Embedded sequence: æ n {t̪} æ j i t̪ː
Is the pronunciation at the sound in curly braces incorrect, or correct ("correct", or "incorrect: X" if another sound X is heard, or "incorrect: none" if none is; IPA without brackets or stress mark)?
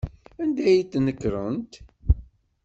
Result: incorrect: d̪